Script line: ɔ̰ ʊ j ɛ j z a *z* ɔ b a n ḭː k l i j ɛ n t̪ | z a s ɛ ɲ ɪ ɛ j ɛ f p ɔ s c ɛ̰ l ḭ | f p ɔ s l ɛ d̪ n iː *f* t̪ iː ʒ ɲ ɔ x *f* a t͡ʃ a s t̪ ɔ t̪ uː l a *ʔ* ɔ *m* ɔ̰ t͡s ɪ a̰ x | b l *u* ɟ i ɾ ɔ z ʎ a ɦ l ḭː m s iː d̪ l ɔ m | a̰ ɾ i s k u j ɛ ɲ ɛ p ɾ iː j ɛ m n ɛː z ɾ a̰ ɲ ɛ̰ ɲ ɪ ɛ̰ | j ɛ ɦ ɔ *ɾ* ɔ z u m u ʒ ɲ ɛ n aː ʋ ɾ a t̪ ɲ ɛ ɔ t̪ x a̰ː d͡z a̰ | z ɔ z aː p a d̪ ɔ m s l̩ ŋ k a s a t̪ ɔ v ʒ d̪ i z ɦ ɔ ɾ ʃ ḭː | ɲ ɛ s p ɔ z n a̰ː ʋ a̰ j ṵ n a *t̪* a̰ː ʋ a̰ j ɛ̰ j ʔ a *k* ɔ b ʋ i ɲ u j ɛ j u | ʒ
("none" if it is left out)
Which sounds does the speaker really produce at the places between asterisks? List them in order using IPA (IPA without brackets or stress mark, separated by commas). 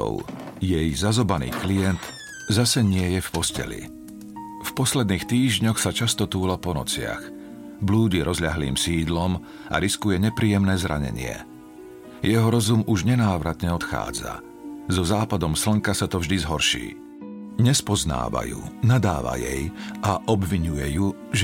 z, x, s, p, n, uː, ɾ, d̪, ʔ